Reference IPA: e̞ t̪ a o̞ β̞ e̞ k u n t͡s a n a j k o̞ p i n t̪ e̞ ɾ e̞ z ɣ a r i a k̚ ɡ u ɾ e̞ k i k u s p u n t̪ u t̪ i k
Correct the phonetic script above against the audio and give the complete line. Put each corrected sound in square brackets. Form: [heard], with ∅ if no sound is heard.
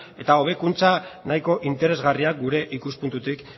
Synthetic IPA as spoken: e̞ t̪ a o̞ β̞ e̞ k u n t͡s a n a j k o̞ [ʔ] i n t̪ e̞ ɾ e̞ z ɣ a r i a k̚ ɡ u ɾ e̞ [ʔ] i k u s p u n t̪ u t̪ i k